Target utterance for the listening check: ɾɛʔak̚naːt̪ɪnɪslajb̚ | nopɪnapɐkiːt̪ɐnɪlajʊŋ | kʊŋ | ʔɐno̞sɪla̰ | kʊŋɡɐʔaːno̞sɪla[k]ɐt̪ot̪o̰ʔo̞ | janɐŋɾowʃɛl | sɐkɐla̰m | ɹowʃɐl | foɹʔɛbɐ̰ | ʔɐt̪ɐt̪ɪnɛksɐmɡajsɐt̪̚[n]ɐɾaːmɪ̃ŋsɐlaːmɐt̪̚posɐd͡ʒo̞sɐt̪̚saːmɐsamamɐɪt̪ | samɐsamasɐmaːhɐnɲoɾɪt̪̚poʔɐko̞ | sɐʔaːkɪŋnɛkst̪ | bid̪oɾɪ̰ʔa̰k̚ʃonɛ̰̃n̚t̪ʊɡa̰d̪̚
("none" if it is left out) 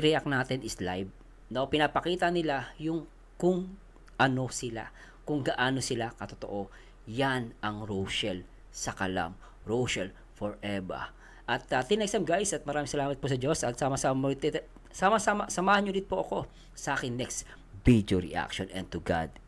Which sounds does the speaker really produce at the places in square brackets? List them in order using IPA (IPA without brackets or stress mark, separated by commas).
k, m